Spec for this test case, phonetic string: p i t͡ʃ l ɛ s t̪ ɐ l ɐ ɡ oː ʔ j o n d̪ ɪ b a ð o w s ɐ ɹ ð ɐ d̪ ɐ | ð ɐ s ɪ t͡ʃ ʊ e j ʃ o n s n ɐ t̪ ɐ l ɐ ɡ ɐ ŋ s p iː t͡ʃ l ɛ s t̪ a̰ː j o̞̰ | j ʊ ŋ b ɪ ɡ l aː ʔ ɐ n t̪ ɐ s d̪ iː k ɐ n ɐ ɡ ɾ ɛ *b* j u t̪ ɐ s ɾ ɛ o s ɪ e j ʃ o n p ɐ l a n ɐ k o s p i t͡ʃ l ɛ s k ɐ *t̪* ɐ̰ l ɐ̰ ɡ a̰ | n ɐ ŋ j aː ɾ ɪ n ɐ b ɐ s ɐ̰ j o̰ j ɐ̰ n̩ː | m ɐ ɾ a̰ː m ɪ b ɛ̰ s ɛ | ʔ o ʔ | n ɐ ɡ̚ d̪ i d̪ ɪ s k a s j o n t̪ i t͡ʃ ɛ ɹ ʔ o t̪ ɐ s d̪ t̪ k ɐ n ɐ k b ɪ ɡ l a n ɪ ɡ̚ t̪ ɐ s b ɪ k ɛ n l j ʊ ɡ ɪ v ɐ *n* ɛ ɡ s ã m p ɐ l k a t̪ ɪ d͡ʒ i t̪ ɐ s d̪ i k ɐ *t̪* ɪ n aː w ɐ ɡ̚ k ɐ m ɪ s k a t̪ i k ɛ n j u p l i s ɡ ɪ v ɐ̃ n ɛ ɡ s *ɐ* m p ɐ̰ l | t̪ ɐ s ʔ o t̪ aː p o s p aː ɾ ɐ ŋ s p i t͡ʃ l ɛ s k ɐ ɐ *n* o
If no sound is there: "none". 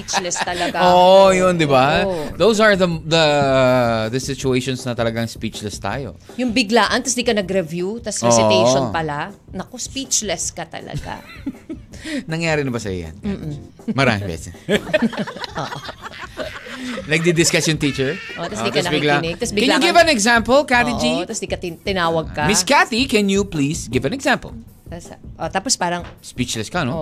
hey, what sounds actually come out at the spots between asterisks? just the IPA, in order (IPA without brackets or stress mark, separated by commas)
v, t̪, n, t̪, a, n